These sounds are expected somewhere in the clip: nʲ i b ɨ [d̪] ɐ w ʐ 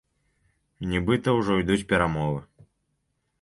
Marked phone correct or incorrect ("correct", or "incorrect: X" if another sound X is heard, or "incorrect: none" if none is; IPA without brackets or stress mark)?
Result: incorrect: t̪